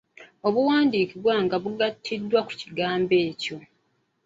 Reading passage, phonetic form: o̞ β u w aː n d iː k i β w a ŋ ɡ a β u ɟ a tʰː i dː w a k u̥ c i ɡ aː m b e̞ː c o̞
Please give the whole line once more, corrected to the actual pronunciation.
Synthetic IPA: o̞ β u w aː n d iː k i β w a ŋ ɡ a β u ɡ a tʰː i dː w a k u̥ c i ɡ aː m b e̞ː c o̞